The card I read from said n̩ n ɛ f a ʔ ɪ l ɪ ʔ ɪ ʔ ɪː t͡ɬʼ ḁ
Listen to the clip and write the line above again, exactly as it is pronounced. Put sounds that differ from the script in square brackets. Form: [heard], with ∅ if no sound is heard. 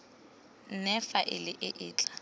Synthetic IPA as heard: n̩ n ɛ f a ʔ ɪ l ɪ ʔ ɪ ʔ ɪː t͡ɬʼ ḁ